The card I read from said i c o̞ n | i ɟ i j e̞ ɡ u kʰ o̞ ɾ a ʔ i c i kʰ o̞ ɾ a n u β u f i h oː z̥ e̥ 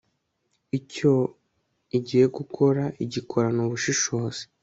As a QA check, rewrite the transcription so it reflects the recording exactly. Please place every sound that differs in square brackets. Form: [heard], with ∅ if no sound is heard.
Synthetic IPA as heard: i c o̞ [∅] | i ɟ i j e̞ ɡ u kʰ o̞ ɾ a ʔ i [ɟ] i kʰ o̞ ɾ a n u β u [ʃ] i [ʃ] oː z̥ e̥